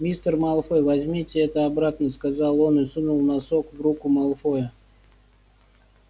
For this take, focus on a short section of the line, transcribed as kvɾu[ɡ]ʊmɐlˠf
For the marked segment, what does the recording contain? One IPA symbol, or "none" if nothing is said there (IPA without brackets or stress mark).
k